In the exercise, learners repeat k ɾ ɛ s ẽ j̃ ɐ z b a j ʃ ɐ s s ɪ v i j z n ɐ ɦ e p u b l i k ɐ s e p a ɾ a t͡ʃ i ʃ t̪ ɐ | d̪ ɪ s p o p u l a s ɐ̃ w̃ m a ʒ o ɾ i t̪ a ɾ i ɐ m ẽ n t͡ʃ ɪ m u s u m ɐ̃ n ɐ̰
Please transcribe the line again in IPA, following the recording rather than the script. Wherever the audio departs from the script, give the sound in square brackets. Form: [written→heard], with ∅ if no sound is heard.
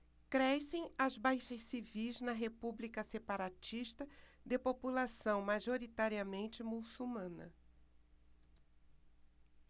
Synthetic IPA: k ɾ ɛ s ẽ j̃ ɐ z b a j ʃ ɐ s s [ɪ→i] v i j z n ɐ ɦ e p u b l i k ɐ s e p a ɾ a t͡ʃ i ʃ t̪ ɐ | d̪ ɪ [s→∅] p o p u l a s ɐ̃ w̃ m a ʒ o ɾ i t̪ a ɾ i ɐ m ẽ n t͡ʃ ɪ m u s u m ɐ̃ n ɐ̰